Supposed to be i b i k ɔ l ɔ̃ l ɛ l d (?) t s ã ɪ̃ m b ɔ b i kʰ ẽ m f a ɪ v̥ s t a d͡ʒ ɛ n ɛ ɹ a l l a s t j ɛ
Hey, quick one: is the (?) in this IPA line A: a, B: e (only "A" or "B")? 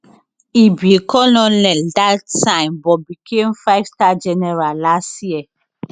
A